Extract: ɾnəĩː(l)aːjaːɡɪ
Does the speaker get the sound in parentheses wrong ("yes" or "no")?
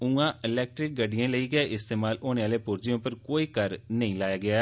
no